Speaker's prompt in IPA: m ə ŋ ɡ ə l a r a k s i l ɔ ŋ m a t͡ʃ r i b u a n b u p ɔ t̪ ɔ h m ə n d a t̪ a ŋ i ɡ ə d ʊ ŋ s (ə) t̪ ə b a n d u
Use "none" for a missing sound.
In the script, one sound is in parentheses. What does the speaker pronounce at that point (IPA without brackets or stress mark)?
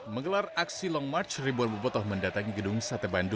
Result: a